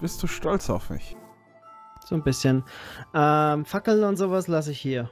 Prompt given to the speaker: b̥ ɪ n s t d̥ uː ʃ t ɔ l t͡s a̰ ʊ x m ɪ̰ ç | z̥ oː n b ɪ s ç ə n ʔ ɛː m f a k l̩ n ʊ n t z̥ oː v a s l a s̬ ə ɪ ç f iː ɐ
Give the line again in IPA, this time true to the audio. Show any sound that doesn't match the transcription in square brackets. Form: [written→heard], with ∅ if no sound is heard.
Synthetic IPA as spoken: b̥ ɪ [n→∅] s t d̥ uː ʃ t ɔ l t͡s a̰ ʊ [x→f] m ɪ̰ ç | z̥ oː n b ɪ s ç ə n ʔ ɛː m f a k l̩ n ʊ n t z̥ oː v a s l a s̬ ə ɪ ç [f→h] iː ɐ